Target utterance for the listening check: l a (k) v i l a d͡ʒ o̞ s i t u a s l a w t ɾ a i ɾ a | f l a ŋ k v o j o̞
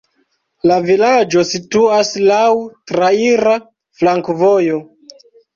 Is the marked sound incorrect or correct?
incorrect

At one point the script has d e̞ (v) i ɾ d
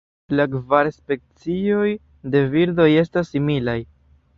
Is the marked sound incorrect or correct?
correct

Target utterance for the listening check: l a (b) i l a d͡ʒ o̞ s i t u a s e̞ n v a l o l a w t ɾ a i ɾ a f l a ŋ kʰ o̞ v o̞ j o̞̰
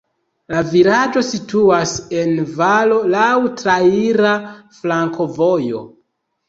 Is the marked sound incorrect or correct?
incorrect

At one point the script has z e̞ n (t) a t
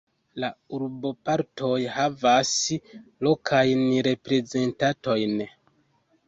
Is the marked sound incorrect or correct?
correct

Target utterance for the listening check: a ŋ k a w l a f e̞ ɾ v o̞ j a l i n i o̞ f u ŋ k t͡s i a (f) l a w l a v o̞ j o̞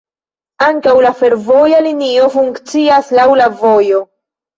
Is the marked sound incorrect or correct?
incorrect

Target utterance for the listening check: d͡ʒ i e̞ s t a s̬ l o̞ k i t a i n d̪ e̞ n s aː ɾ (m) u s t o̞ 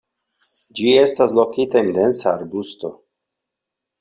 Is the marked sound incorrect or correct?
incorrect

